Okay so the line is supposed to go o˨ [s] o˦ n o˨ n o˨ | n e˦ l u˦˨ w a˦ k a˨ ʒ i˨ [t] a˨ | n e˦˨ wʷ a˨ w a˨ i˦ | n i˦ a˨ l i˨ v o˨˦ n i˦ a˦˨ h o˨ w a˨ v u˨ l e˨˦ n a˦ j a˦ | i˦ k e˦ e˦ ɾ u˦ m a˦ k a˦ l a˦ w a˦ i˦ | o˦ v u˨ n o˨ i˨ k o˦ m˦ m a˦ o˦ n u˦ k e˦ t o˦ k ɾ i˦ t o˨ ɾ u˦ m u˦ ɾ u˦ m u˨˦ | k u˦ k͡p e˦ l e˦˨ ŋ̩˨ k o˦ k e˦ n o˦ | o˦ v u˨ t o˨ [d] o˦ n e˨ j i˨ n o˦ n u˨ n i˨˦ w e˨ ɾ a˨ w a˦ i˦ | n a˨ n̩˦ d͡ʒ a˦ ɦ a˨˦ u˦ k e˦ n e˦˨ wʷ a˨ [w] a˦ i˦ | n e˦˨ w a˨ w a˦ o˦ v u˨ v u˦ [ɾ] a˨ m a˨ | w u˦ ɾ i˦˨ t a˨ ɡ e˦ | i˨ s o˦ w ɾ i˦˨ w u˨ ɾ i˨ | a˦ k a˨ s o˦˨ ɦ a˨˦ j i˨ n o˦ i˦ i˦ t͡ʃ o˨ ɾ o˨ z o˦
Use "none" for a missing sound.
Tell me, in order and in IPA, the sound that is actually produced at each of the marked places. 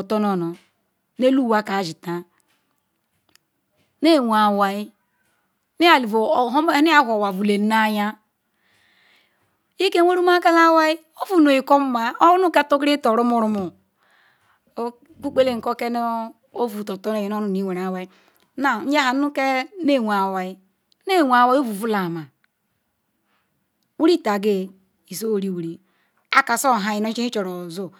t, t, t, w, l

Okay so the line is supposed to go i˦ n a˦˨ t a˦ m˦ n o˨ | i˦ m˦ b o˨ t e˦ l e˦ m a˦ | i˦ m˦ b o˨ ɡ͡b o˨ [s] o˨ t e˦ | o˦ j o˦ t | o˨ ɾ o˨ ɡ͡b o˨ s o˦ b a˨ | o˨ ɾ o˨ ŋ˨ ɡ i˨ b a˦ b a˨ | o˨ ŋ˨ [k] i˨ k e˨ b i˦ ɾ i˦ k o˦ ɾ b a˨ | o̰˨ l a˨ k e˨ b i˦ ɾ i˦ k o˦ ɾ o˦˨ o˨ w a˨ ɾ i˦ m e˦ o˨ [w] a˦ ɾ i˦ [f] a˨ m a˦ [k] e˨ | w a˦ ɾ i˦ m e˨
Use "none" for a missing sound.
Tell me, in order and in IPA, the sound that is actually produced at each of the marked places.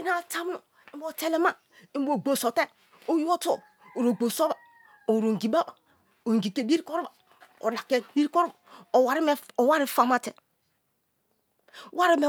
s, ɡ, w, f, t

